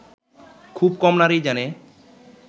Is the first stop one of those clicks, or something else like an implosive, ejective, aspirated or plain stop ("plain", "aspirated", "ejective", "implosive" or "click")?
aspirated